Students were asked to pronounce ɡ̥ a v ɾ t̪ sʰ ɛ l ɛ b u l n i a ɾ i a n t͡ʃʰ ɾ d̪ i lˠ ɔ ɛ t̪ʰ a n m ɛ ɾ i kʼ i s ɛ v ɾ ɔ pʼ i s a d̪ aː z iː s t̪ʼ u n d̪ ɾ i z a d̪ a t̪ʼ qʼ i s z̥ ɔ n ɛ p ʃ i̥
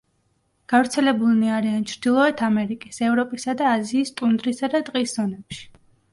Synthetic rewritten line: ɡ̥ a v ɾ t̪ sʰ ɛ l ɛ b u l n i a ɾ i a n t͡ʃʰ ɾ d̪ i lˠ ɔ ɛ t̪ʰ a m ɛ ɾ i kʼ i s ɛ v ɾ ɔ pʼ i s a d̪ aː z iː s t̪ʼ u n d̪ ɾ i s a d̪ a t̪ʼ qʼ i s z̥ ɔ n ɛ p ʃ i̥